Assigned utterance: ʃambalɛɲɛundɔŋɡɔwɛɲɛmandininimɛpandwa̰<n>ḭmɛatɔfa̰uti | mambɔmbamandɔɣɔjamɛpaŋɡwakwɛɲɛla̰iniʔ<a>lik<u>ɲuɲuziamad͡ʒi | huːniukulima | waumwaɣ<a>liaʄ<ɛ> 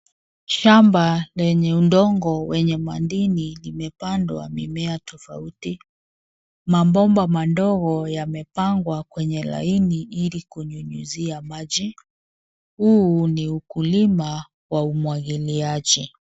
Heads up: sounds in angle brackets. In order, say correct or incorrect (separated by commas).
incorrect, incorrect, correct, incorrect, incorrect